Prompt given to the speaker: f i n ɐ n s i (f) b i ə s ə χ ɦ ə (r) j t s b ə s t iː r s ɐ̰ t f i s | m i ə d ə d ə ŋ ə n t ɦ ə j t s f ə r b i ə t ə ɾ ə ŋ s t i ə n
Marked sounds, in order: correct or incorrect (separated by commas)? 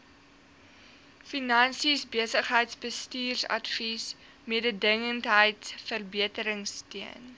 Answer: incorrect, incorrect